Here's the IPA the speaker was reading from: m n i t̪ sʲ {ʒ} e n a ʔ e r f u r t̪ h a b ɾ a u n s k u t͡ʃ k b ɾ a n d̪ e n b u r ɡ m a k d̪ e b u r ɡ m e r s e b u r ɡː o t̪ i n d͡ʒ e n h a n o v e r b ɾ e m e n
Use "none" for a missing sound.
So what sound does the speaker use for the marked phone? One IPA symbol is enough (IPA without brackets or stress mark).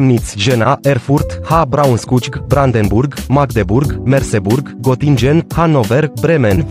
ʒ